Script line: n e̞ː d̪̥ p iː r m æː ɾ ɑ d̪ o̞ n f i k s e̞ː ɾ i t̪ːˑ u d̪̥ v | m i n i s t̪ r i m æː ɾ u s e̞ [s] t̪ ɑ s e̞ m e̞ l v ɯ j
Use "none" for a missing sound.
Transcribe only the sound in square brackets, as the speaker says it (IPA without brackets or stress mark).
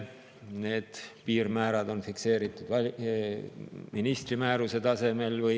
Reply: none